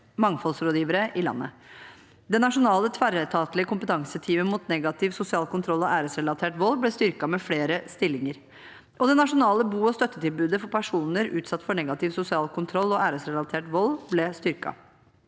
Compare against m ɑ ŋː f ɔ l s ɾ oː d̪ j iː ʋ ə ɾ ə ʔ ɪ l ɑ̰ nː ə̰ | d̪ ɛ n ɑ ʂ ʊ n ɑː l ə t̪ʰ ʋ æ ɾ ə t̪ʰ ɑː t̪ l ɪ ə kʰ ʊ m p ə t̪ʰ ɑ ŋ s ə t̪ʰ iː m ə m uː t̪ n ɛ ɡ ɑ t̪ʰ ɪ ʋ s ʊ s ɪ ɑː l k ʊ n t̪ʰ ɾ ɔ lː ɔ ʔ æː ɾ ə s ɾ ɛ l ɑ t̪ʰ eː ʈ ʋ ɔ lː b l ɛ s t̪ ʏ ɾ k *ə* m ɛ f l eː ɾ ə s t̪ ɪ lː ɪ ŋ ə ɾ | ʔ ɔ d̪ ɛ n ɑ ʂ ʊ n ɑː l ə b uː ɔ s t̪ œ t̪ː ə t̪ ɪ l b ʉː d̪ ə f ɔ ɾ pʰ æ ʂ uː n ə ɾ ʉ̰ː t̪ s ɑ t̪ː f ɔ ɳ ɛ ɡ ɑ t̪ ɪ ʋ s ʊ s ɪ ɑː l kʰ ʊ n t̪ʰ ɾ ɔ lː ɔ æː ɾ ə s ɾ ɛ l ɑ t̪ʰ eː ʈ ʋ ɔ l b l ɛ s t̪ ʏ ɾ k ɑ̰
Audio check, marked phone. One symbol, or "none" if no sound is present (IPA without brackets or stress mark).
ɑ